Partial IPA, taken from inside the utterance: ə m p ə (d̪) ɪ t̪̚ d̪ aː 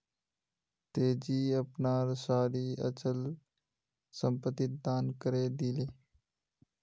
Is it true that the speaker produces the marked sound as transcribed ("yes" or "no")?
no